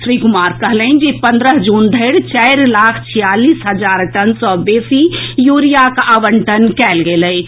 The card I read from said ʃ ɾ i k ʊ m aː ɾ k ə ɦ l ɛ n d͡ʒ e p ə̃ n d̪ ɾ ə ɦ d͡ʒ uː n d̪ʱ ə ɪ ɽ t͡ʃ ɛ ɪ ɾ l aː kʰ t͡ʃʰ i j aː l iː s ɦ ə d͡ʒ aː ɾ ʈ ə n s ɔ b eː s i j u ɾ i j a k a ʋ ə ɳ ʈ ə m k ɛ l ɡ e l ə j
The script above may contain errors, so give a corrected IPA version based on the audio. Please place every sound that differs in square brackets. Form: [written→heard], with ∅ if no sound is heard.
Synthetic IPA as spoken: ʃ ɾ i k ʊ m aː ɾ k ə ɦ l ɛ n d͡ʒ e p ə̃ n d̪ ɾ ə ɦ d͡ʒ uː n d̪ʱ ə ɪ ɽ t͡ʃ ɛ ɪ ɾ l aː kʰ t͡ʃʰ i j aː l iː s ɦ ə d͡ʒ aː ɾ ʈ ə n s ɔ b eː s i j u ɾ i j a k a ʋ ə ɳ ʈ ə [m→n] k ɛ l ɡ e l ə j